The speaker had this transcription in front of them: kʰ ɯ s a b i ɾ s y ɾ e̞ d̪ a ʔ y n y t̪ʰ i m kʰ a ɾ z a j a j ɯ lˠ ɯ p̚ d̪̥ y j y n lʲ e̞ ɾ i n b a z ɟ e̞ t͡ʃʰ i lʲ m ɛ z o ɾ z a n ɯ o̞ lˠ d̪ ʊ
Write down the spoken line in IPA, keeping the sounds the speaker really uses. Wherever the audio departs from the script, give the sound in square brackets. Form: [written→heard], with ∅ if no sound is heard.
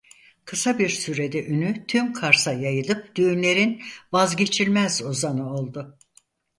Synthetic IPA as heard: kʰ ɯ s a b i ɾ s y ɾ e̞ d̪ [a→ɛ] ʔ y n y t̪ʰ [i→y] m kʰ a ɾ [z→s] a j a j ɯ lˠ ɯ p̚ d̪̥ y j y n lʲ e̞ ɾ i n [b→v] a z ɟ e̞ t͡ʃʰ i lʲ m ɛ z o [ɾ→∅] z a n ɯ o̞ lˠ d̪ ʊ